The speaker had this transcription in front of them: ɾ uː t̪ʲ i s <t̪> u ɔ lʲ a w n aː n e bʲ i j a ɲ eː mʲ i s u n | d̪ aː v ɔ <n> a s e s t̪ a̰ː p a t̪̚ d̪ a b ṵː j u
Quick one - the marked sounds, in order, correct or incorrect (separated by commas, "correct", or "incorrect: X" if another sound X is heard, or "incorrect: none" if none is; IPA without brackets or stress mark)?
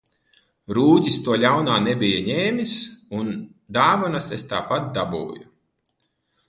correct, correct